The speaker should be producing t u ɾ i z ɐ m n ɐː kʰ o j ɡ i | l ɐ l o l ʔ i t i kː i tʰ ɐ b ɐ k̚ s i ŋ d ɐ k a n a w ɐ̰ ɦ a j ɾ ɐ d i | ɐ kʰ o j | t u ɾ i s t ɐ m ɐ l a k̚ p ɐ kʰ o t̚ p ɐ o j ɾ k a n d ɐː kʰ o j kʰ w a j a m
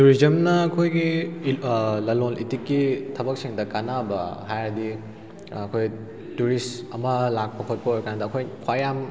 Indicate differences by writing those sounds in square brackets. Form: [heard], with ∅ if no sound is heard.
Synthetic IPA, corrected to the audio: t u ɾ i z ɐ m n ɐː kʰ o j ɡ i | l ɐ l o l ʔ i t i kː i tʰ ɐ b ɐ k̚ s i ŋ d ɐ k a n a [b] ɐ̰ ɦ a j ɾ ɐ d i | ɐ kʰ o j | t u ɾ i s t ɐ m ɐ l a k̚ p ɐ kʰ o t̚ p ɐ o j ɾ k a n d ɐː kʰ o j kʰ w a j a m

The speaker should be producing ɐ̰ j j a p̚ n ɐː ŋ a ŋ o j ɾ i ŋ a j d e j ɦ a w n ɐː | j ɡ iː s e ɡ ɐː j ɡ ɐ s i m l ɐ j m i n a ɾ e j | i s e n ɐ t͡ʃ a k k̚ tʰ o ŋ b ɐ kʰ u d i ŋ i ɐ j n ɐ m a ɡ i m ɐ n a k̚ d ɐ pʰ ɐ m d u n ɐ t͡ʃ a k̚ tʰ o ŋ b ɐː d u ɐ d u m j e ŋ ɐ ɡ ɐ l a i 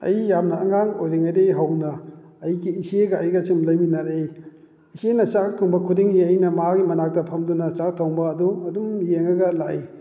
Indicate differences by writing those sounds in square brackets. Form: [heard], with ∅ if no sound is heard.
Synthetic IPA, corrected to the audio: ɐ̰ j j a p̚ n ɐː ŋ a ŋ o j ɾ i ŋ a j d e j ɦ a w n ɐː | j ɡ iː s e ɡ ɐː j ɡ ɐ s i m l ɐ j m i n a ɾ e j | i s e n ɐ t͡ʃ a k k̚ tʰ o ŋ b ɐ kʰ u d i ŋ i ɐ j n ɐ m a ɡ i m ɐ n a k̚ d ɐ pʰ ɐ m d u n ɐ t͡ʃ a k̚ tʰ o ŋ b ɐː d u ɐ d u m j e ŋ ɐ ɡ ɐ l a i

